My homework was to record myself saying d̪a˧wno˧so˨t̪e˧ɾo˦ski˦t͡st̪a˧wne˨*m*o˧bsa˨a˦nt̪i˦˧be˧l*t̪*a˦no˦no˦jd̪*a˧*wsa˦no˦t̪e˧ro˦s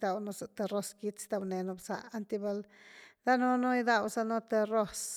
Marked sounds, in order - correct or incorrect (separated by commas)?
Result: incorrect, incorrect, correct